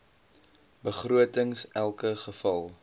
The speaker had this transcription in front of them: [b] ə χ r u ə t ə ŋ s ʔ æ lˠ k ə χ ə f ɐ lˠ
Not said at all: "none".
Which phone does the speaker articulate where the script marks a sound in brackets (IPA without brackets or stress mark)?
b